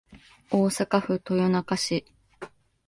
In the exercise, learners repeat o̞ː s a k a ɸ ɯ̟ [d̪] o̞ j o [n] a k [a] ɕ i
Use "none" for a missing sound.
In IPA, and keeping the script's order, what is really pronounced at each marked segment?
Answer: t̪, n, a

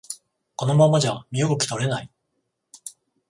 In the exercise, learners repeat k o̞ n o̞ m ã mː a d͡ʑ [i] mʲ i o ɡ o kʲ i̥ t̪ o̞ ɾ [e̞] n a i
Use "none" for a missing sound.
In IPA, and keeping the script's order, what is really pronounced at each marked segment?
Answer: a, e̞

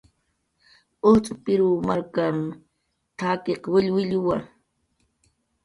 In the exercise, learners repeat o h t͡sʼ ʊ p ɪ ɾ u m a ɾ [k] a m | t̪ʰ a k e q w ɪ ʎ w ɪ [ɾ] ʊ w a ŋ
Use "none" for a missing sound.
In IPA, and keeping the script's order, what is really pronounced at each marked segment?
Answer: k, ʎ

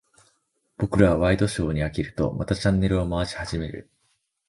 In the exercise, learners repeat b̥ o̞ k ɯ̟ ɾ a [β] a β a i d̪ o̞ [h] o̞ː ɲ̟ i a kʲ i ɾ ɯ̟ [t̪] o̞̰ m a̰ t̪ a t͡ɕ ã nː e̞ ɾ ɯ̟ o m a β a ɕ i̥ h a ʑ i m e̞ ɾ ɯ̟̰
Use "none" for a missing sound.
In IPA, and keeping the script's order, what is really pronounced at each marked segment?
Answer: β, ɕ, t̪

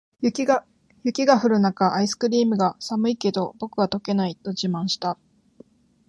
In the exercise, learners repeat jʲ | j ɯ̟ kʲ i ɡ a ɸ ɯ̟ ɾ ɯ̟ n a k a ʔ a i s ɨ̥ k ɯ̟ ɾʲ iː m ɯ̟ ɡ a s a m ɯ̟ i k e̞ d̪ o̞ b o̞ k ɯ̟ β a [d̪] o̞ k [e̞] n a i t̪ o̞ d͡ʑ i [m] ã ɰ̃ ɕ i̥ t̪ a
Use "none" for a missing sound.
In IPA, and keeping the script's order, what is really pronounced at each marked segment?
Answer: t̪, e̞, m

